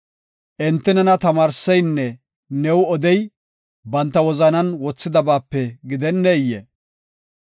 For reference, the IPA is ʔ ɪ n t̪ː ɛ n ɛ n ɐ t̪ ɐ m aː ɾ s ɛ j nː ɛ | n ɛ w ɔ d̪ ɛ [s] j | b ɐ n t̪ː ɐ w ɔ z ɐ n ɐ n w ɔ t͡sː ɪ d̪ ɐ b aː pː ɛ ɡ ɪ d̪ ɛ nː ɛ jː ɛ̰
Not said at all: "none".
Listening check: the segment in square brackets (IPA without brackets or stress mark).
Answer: none